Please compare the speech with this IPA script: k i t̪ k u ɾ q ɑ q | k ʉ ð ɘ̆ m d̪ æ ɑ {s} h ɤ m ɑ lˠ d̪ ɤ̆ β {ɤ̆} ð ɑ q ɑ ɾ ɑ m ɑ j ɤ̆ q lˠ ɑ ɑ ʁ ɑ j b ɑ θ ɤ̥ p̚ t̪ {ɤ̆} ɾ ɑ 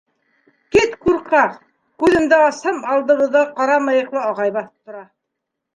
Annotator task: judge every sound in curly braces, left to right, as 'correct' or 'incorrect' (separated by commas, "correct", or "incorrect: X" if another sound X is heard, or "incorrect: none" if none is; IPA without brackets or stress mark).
correct, correct, incorrect: ŏ